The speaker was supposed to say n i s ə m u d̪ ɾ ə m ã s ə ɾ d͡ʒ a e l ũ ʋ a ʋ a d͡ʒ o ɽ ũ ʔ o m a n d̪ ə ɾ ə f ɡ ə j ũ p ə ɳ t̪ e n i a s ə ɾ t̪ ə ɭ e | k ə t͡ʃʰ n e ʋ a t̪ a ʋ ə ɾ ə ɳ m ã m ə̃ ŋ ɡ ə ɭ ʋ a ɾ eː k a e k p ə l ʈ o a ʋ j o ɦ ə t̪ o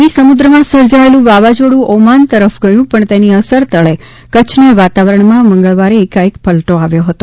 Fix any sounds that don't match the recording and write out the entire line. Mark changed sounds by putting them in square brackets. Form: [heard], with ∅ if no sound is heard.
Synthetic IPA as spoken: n i s ə m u d̪ ɾ ə m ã s ə ɾ d͡ʒ a e l ũ ʋ a ʋ a d͡ʒ o ɽ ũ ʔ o m a n [t̪] ə ɾ ə f ɡ ə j ũ p ə ɳ t̪ e n i [ə] s ə ɾ t̪ ə ɭ e | k ə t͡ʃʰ n e ʋ a t̪ a ʋ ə ɾ ə ɳ m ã m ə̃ ŋ ɡ ə ɭ ʋ a ɾ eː k a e k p ə l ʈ o a ʋ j o ɦ ə t̪ o